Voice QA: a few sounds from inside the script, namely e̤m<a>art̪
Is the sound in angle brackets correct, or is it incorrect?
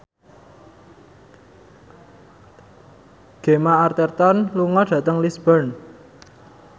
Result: correct